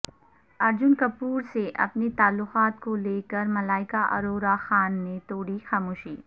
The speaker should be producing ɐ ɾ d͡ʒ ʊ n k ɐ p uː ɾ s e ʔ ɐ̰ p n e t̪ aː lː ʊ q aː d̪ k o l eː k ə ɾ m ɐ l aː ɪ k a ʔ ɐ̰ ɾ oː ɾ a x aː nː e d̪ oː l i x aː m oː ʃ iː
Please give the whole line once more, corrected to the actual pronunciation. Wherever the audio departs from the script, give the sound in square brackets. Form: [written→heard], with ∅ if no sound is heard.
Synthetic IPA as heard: ɐ ɾ d͡ʒ ʊ n k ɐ p uː ɾ s e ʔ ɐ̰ p n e t̪ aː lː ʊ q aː [d̪→t̪] k o l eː k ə ɾ m ɐ l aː ɪ k a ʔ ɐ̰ ɾ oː ɾ a x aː nː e [d̪→t̪] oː [l→ɽ] i x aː m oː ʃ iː